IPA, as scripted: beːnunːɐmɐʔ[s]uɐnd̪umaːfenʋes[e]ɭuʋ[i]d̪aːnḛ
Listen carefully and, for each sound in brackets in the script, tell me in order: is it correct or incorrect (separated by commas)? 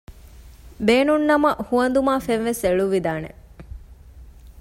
incorrect, correct, correct